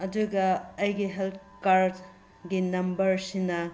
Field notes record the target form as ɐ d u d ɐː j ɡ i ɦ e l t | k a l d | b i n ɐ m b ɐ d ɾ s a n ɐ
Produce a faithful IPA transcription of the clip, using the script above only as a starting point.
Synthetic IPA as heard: ɐ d u ɡ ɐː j ɡ i ɦ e l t | k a ɾ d | ɡ i n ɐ m b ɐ ɾ s i n ɐ